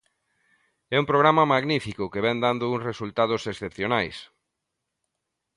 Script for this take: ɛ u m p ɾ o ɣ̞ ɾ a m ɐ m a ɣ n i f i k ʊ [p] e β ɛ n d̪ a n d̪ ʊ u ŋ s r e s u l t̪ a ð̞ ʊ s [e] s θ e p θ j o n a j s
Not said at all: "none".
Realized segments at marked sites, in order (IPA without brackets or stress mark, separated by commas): k, e